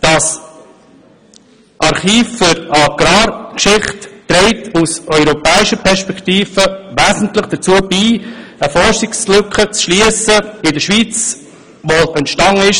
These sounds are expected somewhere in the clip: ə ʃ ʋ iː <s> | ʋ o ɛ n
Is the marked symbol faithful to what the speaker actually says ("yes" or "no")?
no